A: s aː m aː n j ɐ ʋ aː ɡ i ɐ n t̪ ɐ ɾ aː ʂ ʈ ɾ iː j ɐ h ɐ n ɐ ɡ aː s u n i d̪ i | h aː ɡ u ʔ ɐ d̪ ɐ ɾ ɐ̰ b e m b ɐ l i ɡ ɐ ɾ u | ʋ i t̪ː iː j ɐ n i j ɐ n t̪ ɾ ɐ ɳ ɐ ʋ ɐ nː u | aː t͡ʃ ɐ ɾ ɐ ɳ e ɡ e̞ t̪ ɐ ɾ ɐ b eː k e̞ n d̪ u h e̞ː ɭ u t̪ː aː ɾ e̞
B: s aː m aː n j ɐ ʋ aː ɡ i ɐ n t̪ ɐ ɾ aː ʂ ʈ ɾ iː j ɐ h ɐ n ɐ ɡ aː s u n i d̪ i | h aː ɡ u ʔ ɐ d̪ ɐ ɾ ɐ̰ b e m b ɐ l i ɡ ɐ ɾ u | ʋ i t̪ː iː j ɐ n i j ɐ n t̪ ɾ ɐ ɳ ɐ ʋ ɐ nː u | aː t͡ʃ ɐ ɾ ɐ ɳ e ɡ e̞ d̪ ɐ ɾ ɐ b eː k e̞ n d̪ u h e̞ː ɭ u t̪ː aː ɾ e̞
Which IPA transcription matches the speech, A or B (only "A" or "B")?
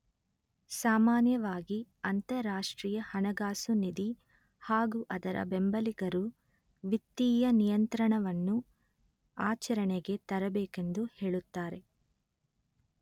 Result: A